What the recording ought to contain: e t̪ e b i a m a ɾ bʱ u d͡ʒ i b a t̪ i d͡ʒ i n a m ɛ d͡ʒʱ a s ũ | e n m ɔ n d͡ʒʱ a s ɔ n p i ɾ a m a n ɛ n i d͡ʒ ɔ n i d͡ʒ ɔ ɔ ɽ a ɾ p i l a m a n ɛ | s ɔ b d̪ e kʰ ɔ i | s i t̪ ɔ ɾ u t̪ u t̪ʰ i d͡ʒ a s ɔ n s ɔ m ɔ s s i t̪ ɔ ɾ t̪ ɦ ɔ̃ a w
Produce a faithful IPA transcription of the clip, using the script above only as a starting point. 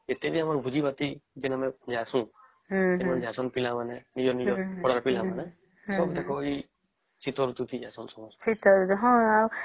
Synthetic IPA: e t̪ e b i a m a ɾ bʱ u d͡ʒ i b a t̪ i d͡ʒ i n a m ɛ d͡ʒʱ a s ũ | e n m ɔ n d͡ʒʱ a s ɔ n p i l a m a n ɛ n i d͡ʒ ɔ n i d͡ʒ ɔ ɔ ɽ a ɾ p i l a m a n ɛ | s ɔ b d̪ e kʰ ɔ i | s i t̪ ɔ ɾ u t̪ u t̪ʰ i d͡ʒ a s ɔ n s ɔ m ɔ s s i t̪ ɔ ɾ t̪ ɦ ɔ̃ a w